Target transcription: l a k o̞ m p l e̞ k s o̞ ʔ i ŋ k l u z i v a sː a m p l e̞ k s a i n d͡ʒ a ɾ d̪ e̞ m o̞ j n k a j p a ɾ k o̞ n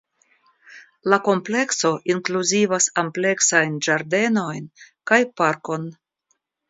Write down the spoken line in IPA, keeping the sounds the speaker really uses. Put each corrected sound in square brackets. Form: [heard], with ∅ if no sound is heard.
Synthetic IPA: l a k o̞ m p l e̞ k s o̞ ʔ i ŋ k l u z i v a [s] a m p l e̞ k s a [j] n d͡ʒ a ɾ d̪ e̞ [n] o̞ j n k a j p a ɾ k o̞ n